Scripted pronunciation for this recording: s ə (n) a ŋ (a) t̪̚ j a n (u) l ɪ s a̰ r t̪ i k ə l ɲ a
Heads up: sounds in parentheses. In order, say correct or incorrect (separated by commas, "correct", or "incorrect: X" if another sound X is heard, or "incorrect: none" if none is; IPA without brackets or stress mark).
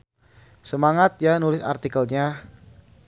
incorrect: m, correct, correct